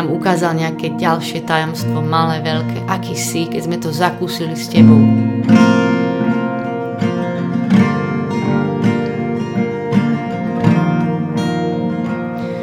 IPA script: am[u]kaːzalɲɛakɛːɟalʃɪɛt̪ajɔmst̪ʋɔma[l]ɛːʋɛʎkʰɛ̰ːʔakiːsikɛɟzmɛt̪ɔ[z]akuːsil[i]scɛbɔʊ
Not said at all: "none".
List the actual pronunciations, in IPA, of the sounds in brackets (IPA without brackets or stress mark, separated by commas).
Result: u, l, z, i